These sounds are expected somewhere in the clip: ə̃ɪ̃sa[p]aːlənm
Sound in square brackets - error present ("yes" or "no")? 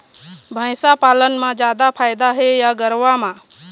no